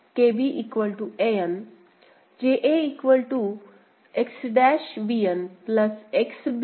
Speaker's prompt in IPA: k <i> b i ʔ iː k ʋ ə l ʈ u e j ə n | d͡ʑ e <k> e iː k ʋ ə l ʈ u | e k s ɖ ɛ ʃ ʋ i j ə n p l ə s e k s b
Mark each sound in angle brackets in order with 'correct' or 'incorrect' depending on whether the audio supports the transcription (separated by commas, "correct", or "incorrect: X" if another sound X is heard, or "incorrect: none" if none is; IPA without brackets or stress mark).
incorrect: e, incorrect: ʔ